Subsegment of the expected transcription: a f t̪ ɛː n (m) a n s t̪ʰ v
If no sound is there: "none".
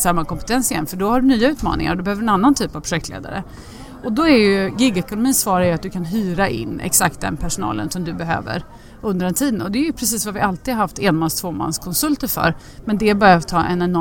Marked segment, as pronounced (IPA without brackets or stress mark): m